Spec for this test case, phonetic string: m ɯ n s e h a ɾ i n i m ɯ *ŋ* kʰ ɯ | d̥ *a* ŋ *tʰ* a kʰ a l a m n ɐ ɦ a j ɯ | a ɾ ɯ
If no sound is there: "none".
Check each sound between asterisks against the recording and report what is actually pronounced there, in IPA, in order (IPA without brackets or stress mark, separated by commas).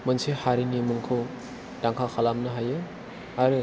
ŋ, a, kʰ